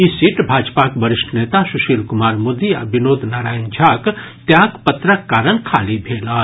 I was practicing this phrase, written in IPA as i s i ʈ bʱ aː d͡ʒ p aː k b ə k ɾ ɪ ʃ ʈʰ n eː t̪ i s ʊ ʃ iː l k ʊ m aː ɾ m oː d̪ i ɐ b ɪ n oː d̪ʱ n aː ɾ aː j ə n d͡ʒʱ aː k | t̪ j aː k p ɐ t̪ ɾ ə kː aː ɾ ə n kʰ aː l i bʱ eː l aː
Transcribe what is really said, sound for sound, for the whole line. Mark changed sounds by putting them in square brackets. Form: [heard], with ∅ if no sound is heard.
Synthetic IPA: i s i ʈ bʱ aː d͡ʒ p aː k b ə [∅] ɾ ɪ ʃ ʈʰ n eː t̪ [a] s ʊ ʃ iː l k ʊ m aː ɾ m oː d̪ i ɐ b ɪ n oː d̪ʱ n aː ɾ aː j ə n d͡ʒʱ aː k | t̪ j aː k p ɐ t̪ ɾ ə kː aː ɾ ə n kʰ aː l i bʱ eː l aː